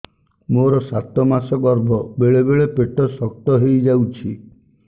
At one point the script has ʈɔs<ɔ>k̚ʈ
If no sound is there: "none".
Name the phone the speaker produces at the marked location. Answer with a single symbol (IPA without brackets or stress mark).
ɔ